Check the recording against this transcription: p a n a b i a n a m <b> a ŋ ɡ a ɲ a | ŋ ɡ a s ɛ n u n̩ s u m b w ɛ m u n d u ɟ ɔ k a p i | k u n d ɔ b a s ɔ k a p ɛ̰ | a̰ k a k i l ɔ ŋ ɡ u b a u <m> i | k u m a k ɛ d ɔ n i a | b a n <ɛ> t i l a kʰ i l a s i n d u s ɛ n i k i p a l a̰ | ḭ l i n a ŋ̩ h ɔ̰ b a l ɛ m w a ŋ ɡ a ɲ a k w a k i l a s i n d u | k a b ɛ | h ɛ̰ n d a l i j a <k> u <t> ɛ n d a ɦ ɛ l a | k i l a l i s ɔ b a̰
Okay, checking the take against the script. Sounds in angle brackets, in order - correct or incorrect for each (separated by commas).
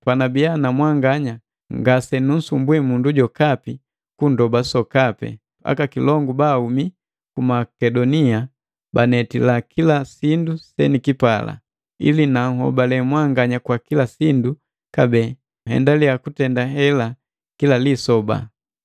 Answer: incorrect, correct, correct, correct, correct